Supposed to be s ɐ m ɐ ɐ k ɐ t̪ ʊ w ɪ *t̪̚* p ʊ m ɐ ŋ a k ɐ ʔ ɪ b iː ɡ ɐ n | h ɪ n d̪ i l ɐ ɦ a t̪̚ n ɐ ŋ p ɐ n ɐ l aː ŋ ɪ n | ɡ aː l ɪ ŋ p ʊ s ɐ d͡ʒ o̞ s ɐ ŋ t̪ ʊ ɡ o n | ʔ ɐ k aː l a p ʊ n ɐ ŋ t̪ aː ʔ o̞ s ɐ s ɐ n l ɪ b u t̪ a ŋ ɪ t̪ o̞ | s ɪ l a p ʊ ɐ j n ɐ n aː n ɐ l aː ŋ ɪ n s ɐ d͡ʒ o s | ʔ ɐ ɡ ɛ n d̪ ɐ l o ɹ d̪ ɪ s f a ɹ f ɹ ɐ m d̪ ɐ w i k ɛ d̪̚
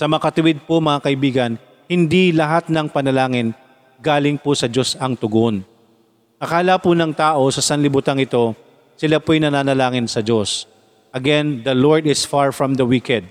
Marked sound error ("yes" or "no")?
yes